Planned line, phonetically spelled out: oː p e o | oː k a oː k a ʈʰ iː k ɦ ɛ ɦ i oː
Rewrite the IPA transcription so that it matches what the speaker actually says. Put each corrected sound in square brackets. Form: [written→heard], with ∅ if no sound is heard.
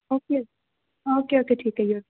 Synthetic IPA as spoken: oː [p→k] e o | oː k [a→e] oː k [a→e] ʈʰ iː k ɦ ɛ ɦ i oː